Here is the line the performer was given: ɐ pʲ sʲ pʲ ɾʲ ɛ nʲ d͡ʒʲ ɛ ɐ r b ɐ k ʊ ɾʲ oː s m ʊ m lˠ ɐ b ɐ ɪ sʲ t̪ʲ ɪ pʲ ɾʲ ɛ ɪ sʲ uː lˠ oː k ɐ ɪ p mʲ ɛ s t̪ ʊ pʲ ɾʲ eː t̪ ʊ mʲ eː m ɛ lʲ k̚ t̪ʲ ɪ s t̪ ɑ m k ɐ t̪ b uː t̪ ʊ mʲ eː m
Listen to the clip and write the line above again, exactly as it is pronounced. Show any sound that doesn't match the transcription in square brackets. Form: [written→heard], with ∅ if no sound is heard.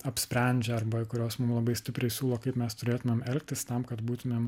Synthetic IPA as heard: ɐ pʲ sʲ pʲ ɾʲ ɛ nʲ d͡ʒʲ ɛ ɐ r b ɐ k ʊ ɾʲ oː s m ʊ m lˠ ɐ b ɐ ɪ sʲ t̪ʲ ɪ pʲ ɾʲ ɛ ɪ sʲ uː lˠ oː k ɐ ɪ p mʲ ɛ s t̪ ʊ [pʲ→∅] ɾʲ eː t̪ ʊ mʲ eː m ɛ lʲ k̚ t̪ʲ ɪ s t̪ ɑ m k ɐ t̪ b uː t̪ ʊ mʲ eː m